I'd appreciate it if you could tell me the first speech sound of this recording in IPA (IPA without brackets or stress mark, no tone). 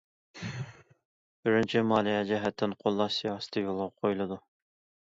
b